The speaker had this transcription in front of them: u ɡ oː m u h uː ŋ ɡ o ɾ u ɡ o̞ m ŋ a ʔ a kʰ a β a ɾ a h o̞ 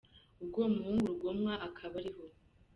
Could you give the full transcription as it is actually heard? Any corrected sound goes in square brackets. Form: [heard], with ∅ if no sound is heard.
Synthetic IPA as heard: u ɡ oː m u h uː ŋ ɡ [u] ɾ u ɡ o̞ m ŋ a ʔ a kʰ a β a ɾ [i] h o̞